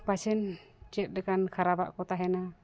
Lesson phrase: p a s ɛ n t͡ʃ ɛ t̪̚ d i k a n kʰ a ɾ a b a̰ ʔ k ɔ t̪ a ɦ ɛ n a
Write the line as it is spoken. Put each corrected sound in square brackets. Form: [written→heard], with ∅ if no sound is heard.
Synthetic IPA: p a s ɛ n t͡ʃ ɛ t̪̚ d [i→ɛ] k a n kʰ a ɾ a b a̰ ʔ k ɔ t̪ a ɦ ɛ n a